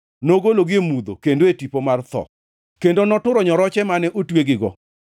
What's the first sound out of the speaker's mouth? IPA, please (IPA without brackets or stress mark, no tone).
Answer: n